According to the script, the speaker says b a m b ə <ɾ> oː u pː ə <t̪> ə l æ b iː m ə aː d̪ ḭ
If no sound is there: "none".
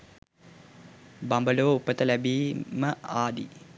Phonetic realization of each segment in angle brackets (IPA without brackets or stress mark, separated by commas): l, t̪